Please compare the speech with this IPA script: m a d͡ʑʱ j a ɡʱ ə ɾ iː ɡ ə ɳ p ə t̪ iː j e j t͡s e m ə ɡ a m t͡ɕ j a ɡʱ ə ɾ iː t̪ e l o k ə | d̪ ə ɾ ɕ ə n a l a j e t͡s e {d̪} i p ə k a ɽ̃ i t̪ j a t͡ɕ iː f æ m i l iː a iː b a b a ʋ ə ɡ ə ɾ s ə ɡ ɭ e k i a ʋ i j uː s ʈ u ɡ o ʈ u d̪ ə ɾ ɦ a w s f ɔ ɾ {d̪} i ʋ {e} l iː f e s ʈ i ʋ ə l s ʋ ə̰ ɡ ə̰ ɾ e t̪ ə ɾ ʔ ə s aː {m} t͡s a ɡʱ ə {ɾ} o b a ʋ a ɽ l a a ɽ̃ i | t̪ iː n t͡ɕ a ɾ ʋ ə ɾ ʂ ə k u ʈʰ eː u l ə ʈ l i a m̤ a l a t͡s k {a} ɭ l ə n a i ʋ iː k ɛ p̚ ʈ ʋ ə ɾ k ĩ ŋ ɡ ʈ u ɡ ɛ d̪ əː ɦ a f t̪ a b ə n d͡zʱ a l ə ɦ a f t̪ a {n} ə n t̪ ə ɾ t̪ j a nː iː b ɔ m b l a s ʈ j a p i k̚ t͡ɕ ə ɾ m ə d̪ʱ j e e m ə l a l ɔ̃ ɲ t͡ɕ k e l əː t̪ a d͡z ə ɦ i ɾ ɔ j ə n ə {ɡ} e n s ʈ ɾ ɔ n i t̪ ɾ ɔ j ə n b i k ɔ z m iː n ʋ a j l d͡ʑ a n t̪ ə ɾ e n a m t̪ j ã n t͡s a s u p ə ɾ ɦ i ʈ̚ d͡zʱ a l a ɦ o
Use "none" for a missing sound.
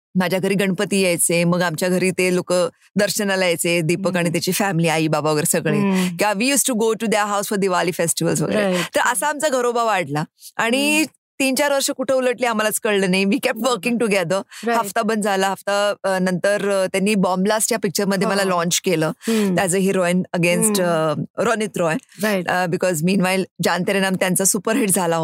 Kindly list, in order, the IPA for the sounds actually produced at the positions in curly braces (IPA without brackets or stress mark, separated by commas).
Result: d̪, d̪, a, m, ɾ, ə, n, ɡ